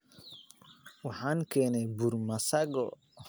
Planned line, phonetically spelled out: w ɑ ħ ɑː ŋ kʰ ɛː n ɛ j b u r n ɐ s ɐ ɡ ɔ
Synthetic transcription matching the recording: w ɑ ħ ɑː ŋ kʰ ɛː n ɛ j b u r m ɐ s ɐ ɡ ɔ